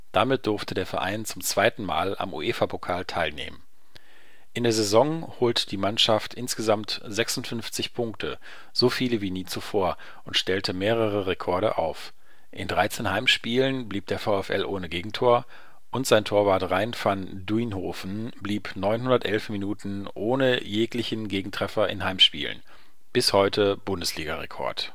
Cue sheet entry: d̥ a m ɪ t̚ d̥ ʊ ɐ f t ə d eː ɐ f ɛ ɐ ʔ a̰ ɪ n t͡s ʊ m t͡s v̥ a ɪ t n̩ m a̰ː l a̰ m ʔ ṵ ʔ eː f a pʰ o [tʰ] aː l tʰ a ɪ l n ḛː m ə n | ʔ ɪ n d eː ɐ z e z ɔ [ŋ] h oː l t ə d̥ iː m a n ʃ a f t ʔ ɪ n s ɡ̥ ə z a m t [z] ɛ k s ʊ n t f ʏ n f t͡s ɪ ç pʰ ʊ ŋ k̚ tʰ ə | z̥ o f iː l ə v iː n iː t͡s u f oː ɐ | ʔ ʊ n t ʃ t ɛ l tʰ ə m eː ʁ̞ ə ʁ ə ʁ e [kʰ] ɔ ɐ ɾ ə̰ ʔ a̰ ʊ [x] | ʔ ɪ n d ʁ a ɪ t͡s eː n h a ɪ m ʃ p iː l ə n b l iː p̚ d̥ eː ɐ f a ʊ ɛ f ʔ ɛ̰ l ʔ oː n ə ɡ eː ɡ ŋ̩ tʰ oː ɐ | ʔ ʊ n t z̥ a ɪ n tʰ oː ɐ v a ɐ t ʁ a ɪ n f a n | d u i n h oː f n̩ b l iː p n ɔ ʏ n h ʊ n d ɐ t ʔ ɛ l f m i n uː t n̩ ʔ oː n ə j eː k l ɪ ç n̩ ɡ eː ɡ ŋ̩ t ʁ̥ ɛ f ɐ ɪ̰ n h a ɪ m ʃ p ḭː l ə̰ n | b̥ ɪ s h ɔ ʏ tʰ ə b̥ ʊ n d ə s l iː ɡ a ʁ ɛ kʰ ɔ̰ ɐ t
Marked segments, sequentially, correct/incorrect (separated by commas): incorrect, correct, correct, correct, incorrect